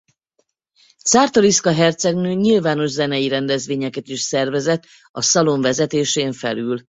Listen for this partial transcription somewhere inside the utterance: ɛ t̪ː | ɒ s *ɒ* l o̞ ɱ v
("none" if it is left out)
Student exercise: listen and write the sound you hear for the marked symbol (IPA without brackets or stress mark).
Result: ɒ